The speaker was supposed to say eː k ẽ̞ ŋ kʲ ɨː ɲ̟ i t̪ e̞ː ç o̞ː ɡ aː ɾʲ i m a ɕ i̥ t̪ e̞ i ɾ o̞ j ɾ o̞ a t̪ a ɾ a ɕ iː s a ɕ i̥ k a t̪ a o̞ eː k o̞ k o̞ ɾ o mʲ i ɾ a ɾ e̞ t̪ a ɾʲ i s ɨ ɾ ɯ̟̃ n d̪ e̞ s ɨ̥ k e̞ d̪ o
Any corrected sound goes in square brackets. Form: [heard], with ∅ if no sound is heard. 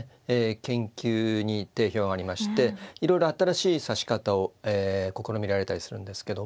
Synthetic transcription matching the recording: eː k ẽ̞ ŋ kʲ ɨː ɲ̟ i t̪ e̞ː ç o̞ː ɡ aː ɾʲ i m a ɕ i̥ t̪ e̞ i ɾ o̞ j ɾ o̞ a t̪ a ɾ a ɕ iː s a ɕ i̥ k a t̪ a o̞ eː k o̞ k o̞ ɾ o mʲ i ɾ a ɾ e̞ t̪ a ɾʲ i s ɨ ɾ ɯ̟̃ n d̪ e̞ s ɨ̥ k e̞ d̪ o